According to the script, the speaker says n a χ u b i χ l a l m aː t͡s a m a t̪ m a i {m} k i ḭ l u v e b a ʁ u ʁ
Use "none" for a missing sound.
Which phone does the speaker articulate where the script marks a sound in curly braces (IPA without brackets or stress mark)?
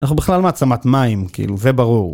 m